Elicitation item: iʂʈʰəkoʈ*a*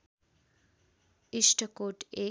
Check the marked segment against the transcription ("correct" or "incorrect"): incorrect